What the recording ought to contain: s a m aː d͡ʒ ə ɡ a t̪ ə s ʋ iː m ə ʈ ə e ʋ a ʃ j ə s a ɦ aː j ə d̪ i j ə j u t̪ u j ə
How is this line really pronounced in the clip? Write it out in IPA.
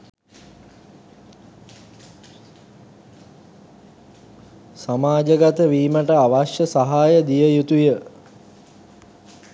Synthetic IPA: s a m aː d͡ʒ ə ɡ a t̪ ə ʋ iː m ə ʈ ə a ʋ a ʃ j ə s a ɦ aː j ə d̪ i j ə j u t̪ u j ə